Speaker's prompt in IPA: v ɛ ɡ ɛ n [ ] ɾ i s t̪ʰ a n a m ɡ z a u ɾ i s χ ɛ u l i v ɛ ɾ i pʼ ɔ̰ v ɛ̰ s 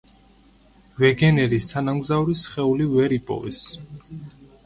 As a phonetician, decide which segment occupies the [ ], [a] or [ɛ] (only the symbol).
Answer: ɛ